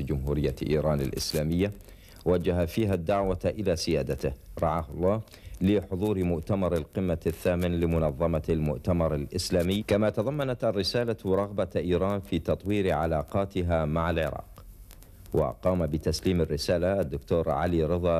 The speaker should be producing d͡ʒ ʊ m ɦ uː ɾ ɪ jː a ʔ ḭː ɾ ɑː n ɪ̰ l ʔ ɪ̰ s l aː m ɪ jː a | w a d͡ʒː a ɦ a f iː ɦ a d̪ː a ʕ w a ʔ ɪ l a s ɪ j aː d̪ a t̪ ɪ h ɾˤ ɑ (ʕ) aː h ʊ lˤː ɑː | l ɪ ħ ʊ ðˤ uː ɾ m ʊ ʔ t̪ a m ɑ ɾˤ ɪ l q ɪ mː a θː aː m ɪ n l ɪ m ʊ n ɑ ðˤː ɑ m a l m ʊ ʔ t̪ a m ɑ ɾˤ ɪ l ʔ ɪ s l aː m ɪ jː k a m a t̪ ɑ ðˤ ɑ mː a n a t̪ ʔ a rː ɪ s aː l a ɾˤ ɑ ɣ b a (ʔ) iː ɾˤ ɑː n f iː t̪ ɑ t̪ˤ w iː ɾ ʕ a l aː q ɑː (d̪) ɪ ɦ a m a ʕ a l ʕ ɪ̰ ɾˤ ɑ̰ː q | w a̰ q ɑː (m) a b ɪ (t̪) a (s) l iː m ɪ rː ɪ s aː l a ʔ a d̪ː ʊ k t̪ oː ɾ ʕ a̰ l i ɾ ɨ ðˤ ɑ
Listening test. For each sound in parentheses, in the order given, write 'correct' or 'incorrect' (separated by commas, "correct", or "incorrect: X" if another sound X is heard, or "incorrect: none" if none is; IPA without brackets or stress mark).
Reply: correct, correct, incorrect: t̪, correct, correct, correct